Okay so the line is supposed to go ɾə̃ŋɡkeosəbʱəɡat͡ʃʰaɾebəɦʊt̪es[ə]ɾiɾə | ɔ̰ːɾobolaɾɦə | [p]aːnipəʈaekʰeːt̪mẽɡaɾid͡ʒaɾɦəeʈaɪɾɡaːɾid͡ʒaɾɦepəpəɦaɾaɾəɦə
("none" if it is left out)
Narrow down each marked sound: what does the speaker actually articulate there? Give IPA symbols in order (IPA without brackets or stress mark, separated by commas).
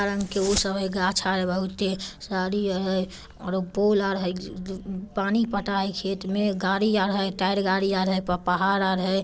a, p